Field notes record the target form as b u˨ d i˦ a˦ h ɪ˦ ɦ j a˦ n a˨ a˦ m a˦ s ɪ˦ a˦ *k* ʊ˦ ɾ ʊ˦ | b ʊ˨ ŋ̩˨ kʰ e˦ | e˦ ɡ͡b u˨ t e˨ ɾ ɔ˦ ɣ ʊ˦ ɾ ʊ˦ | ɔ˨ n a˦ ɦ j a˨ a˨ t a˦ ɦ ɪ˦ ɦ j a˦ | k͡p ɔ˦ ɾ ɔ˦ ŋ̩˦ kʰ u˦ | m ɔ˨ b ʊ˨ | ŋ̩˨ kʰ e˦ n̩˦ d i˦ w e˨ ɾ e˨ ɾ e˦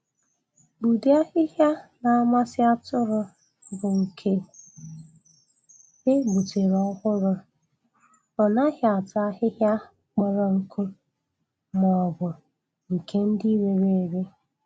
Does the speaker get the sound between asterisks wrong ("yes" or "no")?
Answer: yes